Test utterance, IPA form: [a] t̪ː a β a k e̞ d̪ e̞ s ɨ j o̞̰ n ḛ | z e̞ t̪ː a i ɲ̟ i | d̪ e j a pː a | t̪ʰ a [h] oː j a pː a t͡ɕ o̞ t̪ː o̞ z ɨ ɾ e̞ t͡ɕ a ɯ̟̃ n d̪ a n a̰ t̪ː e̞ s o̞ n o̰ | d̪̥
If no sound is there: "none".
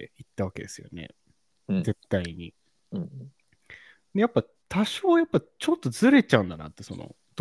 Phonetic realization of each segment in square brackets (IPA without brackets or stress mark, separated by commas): i, ɕ